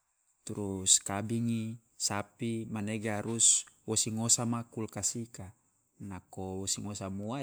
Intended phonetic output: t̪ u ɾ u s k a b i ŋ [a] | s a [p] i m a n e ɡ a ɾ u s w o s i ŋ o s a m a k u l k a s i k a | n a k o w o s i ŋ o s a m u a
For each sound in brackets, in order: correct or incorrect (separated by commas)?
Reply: incorrect, correct